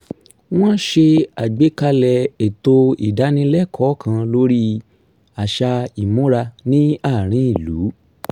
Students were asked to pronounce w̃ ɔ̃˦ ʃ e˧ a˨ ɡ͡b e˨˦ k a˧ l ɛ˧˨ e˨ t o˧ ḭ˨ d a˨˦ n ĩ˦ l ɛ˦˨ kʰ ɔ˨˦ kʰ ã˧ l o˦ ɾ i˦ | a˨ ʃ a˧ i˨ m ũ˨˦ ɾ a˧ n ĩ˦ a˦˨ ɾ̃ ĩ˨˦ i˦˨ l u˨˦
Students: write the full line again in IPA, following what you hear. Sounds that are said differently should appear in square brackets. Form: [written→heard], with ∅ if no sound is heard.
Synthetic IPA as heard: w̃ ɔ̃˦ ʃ e˧ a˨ ɡ͡b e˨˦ k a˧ l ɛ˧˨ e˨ t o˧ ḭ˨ d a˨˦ n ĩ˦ l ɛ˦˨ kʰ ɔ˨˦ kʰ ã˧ l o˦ ɾ i˦ | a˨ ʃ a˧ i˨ m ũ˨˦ ɾ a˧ n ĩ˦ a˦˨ ɾ̃ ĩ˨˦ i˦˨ l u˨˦

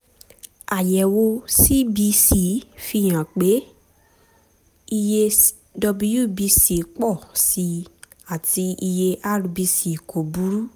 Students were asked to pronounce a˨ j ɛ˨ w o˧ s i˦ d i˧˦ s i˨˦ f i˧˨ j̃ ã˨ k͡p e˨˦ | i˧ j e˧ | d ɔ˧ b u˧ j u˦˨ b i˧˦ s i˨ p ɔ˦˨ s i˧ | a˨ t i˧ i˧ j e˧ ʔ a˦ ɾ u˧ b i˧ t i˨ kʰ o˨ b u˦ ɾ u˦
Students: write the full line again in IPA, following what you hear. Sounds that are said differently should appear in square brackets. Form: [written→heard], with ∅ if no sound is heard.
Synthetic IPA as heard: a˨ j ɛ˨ w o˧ s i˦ [d→b] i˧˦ s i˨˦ f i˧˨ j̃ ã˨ k͡p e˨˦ | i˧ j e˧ | d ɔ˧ b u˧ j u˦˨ b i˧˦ s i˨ [p→k͡p] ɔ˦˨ s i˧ | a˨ t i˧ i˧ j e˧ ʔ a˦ ɾ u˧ b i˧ [t→s] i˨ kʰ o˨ b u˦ ɾ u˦

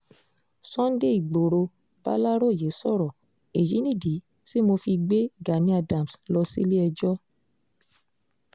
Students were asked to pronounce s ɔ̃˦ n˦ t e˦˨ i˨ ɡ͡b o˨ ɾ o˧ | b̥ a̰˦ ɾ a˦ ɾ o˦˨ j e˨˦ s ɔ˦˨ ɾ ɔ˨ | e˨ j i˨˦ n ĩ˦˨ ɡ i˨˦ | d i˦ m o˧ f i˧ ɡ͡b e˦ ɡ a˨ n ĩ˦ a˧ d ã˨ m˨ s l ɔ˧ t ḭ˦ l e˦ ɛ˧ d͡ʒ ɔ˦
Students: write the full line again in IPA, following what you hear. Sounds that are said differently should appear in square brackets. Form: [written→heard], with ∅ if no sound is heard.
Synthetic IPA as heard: s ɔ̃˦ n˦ [t→d] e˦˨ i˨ ɡ͡b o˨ ɾ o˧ | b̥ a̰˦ [ɾ→l] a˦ ɾ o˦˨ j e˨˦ s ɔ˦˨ ɾ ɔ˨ | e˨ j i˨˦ n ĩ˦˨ [ɡ→d] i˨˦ | [d→t] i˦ m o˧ f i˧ ɡ͡b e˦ ɡ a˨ n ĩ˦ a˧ d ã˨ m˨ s l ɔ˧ [t→s] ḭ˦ l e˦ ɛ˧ d͡ʒ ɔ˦

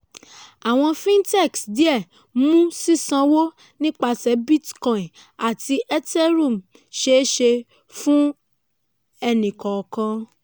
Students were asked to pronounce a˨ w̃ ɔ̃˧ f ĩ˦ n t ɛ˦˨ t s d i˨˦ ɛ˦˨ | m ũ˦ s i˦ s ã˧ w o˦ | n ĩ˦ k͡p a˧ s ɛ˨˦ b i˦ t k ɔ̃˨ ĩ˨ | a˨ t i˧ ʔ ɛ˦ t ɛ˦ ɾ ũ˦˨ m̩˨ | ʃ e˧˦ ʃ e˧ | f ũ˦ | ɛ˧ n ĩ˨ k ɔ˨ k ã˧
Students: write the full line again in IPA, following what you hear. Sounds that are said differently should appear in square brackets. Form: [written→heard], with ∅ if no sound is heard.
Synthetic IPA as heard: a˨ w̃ ɔ̃˧ f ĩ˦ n t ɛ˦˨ [t→k] s d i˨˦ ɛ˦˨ | m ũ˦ s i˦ s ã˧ w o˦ | n ĩ˦ k͡p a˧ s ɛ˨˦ b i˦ t k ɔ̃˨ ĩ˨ | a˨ t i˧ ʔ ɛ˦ t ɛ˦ ɾ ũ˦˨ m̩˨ | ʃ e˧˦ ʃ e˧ | f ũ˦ | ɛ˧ n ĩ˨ k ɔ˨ k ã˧

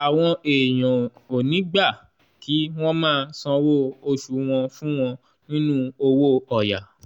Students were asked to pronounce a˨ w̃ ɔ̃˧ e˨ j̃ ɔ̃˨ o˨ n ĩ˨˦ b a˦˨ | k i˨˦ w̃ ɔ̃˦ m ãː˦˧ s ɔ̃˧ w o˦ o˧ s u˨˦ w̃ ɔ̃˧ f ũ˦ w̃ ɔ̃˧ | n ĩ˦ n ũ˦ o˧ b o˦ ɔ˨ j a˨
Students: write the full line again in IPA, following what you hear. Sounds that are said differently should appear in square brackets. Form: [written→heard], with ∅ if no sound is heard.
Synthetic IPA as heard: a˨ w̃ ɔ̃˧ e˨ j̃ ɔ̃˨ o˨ n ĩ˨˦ [b→ɡ͡b] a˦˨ | k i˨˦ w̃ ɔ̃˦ m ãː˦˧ s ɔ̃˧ w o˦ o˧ [s→ʃ] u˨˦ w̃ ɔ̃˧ f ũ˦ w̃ ɔ̃˧ | n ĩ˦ n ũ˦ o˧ [b→w] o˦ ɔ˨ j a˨

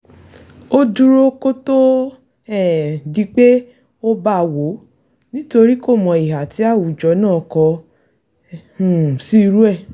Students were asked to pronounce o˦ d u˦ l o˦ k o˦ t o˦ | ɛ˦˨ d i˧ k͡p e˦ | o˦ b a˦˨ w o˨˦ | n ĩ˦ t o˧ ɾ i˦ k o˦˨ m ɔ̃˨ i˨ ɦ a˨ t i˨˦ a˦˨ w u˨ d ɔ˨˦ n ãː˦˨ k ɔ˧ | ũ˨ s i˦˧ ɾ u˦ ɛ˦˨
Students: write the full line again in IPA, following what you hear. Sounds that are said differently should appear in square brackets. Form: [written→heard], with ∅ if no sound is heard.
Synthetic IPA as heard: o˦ d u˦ [l→ɾ] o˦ k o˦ t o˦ | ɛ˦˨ d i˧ k͡p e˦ | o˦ b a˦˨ w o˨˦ | n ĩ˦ t o˧ ɾ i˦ k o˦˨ m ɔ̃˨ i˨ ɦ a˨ t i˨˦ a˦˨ w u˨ [d→d͡ʒ] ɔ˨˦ n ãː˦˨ k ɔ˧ | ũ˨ s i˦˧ ɾ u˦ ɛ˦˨

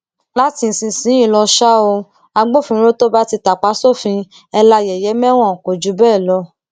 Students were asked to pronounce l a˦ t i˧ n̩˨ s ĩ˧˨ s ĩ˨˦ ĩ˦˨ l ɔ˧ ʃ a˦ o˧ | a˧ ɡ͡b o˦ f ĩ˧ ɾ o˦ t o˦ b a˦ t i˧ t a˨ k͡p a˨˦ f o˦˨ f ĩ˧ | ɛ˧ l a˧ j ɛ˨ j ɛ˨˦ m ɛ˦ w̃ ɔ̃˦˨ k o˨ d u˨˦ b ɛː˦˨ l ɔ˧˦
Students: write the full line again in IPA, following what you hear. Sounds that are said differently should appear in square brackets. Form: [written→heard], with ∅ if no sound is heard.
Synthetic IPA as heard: l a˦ t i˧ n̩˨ s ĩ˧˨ s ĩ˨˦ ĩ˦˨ l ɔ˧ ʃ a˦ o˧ | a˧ ɡ͡b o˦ f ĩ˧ ɾ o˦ t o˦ b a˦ t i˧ t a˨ k͡p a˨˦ [f→s] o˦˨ f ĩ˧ | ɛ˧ l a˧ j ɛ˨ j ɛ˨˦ m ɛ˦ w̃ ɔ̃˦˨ k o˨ [d→d͡ʒ] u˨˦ b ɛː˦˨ l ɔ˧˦

